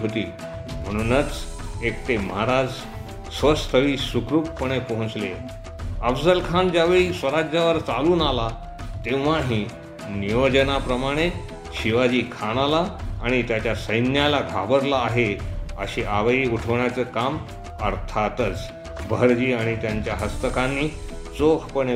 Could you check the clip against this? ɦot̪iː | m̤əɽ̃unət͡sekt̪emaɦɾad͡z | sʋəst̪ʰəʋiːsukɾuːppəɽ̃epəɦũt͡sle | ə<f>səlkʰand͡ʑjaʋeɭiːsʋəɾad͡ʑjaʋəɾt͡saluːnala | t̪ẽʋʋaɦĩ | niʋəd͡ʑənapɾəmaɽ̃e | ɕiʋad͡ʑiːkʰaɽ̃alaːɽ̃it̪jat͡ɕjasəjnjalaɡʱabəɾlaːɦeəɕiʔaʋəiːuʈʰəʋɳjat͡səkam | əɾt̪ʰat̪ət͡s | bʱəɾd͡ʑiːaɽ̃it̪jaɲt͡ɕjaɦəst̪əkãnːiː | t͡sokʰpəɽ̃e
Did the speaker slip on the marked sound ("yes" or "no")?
no